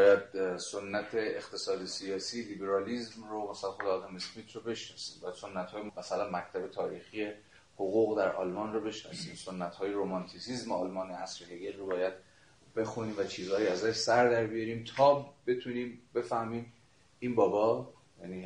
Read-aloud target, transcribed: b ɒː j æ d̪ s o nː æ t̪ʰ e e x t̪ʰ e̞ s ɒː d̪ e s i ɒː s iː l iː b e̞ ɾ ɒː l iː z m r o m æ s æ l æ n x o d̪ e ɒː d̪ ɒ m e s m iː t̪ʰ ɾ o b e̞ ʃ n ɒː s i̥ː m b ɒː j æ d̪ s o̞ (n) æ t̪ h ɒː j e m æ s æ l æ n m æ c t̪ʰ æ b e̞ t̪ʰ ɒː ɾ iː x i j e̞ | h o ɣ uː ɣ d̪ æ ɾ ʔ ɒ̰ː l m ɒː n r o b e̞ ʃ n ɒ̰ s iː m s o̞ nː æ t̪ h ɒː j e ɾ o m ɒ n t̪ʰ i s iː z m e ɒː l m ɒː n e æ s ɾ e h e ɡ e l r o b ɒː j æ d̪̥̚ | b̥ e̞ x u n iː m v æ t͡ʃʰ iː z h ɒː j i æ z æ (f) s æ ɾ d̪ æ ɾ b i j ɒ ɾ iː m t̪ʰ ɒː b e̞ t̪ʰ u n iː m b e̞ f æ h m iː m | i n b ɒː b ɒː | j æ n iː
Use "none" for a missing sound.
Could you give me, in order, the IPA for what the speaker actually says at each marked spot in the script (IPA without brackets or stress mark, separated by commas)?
nː, ʃ